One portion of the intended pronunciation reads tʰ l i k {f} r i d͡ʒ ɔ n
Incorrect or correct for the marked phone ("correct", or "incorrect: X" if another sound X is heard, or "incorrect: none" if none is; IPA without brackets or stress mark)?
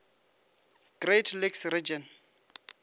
incorrect: s